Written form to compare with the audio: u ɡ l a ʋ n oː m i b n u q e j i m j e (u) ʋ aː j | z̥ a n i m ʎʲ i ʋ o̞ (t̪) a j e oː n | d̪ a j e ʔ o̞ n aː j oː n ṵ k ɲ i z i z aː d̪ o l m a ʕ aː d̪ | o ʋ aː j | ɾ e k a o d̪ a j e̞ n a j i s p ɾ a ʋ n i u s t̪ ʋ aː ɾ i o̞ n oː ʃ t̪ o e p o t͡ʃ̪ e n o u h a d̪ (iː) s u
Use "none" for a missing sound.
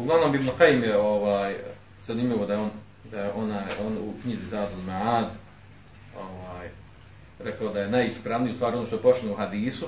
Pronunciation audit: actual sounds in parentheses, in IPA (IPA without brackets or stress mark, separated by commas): o, d̪, iː